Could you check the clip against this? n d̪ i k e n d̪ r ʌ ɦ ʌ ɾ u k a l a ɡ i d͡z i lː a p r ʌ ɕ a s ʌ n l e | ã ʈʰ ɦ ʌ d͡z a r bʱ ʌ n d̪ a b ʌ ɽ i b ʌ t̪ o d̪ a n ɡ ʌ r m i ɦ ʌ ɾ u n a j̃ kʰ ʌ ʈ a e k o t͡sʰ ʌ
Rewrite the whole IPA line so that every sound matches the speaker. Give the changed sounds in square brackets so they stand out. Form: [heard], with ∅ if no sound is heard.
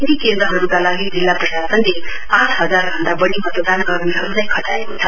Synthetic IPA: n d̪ i k e n d̪ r ʌ ɦ ʌ ɾ u k a l a ɡ i d͡z i lː a p r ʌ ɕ a s ʌ n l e | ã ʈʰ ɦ ʌ d͡z a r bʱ ʌ n d̪ a b ʌ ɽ i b ʌ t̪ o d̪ a n ɡ ʌ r m i ɦ ʌ ɾ u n a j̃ kʰ ʌ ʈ a e k o t͡sʰ ʌ

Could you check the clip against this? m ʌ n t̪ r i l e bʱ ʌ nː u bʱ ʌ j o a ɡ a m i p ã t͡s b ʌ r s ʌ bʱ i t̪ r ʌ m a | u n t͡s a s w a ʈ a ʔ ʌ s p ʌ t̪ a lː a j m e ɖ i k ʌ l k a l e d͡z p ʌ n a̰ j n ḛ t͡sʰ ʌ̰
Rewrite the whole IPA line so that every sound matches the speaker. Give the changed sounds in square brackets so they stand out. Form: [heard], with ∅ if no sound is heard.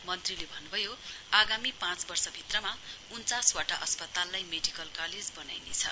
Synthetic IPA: m ʌ n t̪ r i l e bʱ ʌ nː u bʱ ʌ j o a ɡ a m i p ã t͡s b ʌ r s ʌ bʱ i t̪ r ʌ m a | u n t͡s a s w a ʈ a ʔ ʌ s p ʌ t̪ a lː a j m e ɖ i k ʌ l k a l e d͡z [b] ʌ n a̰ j n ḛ t͡sʰ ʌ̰

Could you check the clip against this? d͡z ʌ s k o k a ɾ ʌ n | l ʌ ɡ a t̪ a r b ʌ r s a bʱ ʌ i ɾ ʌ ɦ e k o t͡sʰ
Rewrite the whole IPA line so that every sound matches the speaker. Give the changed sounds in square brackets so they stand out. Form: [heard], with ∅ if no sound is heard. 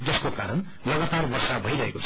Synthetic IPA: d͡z ʌ s k o k a ɾ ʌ n | l ʌ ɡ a t̪ a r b ʌ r s a bʱ ʌ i ɾ ʌ ɦ e k o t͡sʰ

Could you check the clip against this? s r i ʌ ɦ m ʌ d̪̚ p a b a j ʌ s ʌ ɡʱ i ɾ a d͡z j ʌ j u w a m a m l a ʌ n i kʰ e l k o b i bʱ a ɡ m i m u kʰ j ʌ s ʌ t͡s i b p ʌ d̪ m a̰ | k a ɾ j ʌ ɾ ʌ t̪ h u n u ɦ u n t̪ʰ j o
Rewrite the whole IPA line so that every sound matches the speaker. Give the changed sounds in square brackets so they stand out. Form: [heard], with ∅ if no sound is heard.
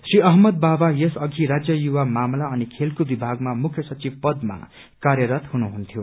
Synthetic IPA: s r i ʌ ɦ m ʌ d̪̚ [b] a b a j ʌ s ʌ ɡʱ i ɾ a d͡z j ʌ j u w a m a m l a ʌ n i kʰ e l k o b i bʱ a ɡ m [a] m u kʰ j ʌ s ʌ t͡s i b p ʌ d̪ m a̰ | k a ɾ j ʌ ɾ ʌ t̪ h u n u ɦ u n t̪ʰ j o

